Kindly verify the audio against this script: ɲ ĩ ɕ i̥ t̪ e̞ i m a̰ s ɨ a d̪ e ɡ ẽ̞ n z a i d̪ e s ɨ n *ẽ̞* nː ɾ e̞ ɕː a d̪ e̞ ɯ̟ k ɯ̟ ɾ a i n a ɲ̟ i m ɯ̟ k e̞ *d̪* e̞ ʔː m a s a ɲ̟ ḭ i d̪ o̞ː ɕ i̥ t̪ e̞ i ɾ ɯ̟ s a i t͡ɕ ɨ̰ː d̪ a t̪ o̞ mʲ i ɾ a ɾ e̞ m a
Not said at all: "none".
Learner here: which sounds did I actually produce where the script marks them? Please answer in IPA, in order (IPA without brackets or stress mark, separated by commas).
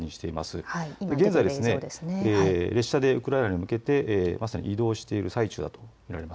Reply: e̞, t̪